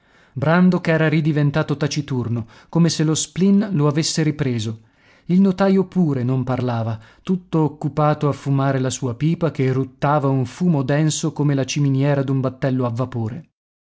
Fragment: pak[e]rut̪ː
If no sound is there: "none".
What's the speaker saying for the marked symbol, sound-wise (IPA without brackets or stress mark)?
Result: e